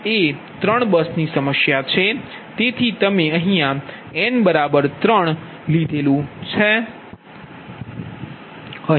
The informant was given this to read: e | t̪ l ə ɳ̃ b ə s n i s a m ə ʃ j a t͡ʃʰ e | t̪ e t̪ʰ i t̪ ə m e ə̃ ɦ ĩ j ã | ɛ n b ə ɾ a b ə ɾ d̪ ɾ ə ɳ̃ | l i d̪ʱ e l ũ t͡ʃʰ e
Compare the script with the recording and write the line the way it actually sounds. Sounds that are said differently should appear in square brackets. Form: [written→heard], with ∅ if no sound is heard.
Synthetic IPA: e | t̪ [l→ɾ] ə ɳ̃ b ə s n i s [a→ə] m ə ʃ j a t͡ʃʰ e | t̪ e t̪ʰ i t̪ ə m e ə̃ ɦ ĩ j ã | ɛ n b ə ɾ a b ə ɾ [d̪→t̪] ɾ ə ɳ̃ | l i d̪ʱ e l ũ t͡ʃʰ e